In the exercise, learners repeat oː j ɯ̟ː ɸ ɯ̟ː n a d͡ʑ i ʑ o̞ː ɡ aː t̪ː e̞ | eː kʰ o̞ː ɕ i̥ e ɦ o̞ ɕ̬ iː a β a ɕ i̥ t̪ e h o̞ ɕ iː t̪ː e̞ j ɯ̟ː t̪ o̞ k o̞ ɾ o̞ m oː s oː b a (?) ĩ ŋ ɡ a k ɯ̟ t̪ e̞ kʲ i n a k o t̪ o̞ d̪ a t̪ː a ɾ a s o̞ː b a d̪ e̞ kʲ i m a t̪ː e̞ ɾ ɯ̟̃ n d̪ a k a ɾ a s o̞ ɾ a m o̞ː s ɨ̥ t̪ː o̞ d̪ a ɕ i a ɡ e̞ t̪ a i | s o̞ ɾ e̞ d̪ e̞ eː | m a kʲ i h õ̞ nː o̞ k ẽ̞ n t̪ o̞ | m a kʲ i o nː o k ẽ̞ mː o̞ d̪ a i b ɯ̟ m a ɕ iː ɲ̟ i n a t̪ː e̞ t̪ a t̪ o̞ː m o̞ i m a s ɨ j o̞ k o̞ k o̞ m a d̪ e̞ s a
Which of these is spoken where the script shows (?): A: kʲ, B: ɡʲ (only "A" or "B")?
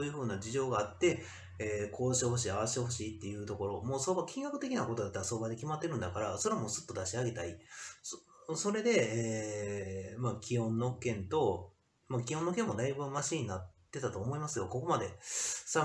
A